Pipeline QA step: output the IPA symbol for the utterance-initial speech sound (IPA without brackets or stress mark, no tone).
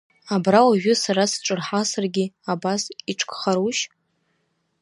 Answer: a